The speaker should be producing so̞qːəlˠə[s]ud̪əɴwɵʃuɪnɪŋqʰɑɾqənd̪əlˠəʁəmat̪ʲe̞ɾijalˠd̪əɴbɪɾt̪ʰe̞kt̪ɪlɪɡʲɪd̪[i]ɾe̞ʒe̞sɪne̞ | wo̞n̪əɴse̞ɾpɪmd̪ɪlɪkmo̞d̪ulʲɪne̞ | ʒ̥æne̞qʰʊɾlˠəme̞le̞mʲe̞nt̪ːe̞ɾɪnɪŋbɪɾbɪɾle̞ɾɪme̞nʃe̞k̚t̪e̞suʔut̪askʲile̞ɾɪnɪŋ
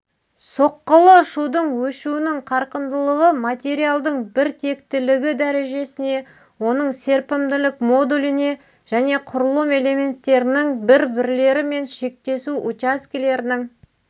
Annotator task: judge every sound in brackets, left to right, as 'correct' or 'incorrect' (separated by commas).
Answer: incorrect, incorrect